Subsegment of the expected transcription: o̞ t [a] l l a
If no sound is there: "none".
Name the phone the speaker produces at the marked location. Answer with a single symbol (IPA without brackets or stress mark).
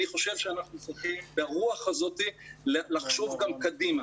i